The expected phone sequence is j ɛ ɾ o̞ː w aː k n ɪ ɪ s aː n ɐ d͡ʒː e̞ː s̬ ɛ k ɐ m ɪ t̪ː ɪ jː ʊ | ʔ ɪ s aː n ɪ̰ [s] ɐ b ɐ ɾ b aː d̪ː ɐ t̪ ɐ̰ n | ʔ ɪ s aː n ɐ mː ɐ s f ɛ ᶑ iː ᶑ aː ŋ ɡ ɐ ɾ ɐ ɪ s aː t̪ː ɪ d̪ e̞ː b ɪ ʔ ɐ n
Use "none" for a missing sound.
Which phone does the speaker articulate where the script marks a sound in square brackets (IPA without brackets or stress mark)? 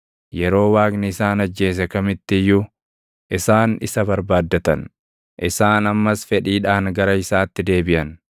s